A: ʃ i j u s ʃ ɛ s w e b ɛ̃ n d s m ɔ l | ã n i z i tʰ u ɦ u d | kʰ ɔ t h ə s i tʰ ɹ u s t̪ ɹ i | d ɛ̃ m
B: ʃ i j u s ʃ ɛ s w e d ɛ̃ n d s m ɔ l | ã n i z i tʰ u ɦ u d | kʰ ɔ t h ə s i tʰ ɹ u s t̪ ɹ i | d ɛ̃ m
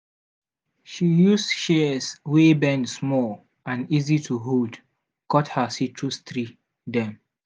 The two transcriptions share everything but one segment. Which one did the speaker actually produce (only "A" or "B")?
A